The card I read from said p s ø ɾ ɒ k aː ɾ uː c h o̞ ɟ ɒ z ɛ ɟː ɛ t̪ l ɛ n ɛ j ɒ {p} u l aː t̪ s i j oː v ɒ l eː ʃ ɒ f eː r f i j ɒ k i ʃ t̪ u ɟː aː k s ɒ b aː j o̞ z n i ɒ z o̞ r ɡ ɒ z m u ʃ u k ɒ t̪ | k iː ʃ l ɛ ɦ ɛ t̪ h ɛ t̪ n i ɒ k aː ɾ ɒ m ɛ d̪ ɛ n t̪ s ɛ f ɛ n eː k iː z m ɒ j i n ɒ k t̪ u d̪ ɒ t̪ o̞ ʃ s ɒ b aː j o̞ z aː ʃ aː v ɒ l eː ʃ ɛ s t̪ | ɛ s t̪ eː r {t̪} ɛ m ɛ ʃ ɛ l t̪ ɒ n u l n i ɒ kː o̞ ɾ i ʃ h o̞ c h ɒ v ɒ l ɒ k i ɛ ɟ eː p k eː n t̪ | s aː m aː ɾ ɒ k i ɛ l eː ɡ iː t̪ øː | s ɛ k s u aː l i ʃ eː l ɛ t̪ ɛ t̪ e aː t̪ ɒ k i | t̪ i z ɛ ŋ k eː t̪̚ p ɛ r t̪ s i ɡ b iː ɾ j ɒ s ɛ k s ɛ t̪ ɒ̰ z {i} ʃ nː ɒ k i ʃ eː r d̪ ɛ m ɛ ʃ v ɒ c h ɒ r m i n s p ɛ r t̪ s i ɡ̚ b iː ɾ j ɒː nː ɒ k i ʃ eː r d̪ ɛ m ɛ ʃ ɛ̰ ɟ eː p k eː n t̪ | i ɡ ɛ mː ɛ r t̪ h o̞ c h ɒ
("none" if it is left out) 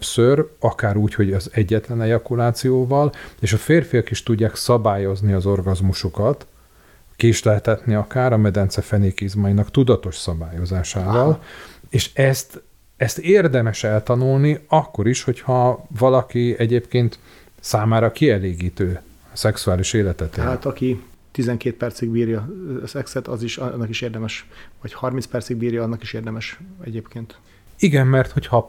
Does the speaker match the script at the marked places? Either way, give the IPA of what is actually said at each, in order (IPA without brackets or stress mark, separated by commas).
k, d̪, i